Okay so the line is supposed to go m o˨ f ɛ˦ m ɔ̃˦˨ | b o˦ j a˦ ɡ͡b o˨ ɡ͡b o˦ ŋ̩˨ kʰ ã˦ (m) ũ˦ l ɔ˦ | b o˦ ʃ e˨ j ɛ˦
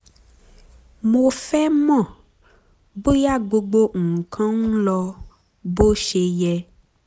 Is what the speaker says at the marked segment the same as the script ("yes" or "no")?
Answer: no